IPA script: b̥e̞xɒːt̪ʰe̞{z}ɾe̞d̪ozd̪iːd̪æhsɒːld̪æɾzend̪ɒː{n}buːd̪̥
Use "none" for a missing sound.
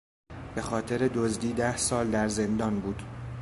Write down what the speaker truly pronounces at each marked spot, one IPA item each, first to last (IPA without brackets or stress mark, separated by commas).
none, n